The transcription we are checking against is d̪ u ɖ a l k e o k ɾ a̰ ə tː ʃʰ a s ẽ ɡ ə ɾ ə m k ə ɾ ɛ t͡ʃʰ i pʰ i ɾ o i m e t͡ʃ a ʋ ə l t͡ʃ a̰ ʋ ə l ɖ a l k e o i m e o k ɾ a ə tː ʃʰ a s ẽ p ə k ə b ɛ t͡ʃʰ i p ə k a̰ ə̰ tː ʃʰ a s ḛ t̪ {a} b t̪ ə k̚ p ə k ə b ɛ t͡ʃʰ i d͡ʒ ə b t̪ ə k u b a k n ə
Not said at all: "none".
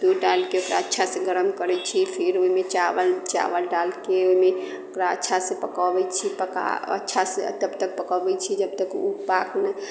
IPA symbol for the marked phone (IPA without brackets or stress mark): ə